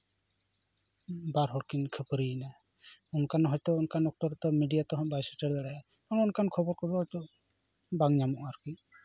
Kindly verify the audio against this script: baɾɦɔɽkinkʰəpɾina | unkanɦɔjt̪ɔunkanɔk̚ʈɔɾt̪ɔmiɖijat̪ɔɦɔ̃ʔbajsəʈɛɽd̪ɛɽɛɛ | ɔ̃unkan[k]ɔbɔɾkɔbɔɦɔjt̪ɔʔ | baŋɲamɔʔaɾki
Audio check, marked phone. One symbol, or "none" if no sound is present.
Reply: kʰ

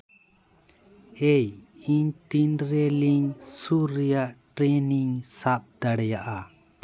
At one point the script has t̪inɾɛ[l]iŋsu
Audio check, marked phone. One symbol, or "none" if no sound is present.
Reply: l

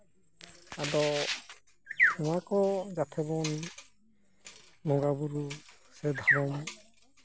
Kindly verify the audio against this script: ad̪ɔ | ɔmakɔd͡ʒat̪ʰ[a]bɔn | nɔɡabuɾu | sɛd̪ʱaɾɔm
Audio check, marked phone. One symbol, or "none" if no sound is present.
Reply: ɛ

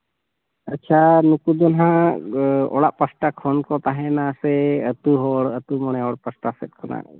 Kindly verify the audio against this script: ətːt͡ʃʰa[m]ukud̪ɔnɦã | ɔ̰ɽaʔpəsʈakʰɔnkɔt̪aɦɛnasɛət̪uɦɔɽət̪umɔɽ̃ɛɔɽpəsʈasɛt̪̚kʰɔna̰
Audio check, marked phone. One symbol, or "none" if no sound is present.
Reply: n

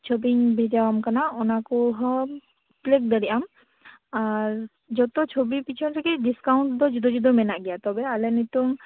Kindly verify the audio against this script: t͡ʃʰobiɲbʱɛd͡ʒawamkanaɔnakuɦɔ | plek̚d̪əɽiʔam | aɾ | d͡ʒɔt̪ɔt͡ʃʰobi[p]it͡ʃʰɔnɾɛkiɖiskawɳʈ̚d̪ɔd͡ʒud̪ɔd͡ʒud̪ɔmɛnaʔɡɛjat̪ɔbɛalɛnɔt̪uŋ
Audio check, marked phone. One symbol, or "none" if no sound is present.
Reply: p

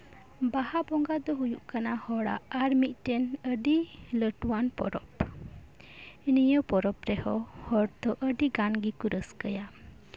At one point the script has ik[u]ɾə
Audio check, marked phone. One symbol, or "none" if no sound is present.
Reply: u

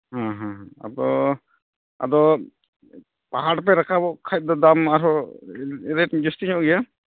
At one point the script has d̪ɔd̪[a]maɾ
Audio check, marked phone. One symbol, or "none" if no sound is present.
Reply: a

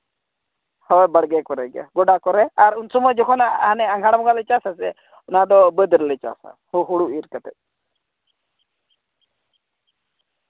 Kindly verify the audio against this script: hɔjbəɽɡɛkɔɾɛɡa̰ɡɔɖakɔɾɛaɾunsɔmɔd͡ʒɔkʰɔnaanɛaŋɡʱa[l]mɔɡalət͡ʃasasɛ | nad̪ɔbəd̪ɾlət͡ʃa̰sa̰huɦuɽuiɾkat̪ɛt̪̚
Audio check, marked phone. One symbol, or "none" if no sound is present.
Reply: ɽ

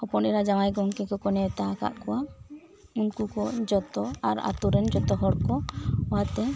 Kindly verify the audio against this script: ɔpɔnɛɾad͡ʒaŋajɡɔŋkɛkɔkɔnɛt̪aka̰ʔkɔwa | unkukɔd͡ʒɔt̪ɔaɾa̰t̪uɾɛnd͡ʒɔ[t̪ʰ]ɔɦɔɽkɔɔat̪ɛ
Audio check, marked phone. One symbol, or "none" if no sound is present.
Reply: t̪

